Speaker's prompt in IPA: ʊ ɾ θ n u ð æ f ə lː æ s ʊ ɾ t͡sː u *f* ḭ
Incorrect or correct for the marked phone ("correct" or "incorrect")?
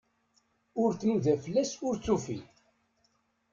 correct